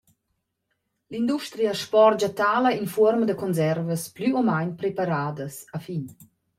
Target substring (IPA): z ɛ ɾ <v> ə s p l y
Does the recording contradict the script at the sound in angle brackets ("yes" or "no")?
no